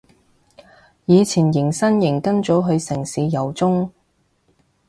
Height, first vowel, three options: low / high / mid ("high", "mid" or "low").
high